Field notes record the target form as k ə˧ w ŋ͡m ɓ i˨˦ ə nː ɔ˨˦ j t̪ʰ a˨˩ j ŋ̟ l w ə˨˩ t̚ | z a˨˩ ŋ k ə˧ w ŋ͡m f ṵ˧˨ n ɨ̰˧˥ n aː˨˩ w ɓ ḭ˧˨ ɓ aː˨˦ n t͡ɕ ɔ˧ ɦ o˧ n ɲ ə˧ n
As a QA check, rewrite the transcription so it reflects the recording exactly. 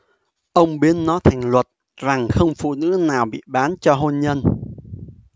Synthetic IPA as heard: ʔ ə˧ w ŋ͡m ɓ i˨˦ ə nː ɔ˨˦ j t̪ʰ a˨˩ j ŋ̟ l w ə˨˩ t̚ | z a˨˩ ŋ x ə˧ w ŋ͡m f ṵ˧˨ n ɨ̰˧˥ n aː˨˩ w ɓ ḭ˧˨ ɓ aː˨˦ n t͡ɕ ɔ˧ ɦ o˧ n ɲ ə˧ n